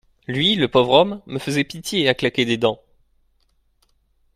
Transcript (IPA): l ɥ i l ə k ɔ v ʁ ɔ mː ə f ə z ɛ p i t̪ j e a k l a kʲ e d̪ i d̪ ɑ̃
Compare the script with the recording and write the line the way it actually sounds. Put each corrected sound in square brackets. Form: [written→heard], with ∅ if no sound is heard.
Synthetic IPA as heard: l ɥ i l ə [k→p] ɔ v ʁ ɔ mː ə f ə z ɛ p i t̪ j e a k l a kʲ e d̪ [i→e] d̪ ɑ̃